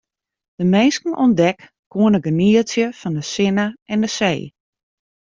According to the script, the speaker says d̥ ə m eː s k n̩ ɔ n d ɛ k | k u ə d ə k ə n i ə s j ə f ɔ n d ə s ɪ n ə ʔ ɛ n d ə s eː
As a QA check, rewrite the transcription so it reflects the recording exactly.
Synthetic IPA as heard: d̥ ə m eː s k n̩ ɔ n d ɛ k | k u ə n ə ɡ ə n i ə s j ə f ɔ n d ə s ɪ n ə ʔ ɛ n d ə s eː